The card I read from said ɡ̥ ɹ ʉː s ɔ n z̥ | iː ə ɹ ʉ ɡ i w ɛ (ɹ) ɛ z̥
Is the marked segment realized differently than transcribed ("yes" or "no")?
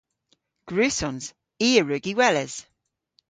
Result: yes